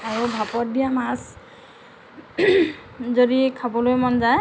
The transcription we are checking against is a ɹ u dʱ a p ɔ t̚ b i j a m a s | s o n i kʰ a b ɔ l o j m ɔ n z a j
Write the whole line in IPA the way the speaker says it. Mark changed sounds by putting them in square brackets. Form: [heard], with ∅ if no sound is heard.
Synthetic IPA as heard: a ɹ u [bʱ] a p ɔ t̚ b i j a m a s | [z] o [d] i kʰ a b ɔ l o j m ɔ n z a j